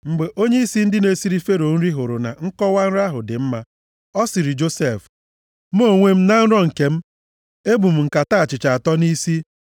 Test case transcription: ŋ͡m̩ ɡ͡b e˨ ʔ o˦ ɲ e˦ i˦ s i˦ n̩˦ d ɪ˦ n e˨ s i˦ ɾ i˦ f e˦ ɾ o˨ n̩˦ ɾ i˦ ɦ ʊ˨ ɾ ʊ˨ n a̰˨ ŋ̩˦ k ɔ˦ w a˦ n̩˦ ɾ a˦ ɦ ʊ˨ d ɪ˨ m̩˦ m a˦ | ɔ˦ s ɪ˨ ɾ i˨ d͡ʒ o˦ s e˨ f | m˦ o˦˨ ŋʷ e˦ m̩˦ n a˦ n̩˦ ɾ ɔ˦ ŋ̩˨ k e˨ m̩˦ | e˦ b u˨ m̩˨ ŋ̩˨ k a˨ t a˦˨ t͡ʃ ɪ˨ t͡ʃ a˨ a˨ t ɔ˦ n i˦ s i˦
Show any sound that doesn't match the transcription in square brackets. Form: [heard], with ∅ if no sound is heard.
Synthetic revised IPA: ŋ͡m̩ ɡ͡b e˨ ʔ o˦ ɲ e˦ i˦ s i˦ n̩˦ d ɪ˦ n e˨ s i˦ ɾ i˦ f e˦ ɾ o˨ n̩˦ ɾ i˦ ɦ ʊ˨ ɾ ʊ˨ n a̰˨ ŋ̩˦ k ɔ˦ w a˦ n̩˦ ɾ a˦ ɦ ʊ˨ d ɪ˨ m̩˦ m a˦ | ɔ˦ s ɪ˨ ɾ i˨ d͡ʒ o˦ s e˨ f | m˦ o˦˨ ŋʷ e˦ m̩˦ n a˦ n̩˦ ɾ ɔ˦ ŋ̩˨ k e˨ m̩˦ | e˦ b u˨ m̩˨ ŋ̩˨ k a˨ t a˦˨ t͡ʃ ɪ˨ t͡ʃ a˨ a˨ t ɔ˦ n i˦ s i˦

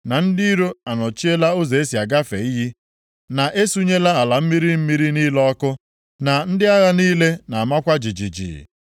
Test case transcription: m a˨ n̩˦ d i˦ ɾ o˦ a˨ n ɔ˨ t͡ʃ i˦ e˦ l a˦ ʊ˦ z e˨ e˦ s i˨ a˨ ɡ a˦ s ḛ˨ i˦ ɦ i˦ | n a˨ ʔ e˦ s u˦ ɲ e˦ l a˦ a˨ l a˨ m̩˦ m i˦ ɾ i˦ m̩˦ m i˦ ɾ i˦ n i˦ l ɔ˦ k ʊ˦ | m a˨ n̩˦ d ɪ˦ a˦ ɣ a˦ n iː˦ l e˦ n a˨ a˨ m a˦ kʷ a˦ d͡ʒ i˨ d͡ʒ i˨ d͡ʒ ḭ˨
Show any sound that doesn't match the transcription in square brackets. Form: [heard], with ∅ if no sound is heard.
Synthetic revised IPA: [n] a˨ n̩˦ d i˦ ɾ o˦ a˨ n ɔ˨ t͡ʃ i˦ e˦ l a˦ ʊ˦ z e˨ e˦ s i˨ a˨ ɡ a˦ [f] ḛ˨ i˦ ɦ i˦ | n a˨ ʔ e˦ s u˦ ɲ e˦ l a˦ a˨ l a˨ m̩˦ m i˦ ɾ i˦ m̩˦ m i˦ ɾ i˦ n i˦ l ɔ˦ k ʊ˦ | [n] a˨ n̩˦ d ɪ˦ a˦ ɣ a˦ n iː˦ l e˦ n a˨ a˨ m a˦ kʷ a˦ d͡ʒ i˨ d͡ʒ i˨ d͡ʒ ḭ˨

